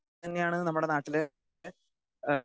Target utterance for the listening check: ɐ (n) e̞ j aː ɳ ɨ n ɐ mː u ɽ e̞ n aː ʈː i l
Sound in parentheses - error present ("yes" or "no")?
yes